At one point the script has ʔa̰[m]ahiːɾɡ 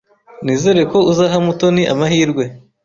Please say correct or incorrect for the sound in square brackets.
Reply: correct